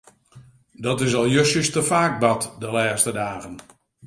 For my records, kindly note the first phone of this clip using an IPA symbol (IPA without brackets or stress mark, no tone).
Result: d